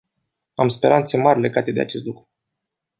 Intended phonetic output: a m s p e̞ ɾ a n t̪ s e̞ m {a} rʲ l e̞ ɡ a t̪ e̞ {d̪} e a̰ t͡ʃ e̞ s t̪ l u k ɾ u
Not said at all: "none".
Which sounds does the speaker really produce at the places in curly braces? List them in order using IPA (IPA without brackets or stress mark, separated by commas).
a, d̪